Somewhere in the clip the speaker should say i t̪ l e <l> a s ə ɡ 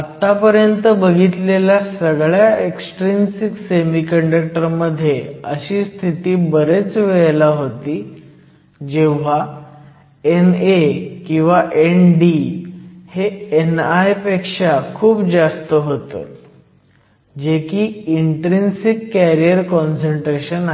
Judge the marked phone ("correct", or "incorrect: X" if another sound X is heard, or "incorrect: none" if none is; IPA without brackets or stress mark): correct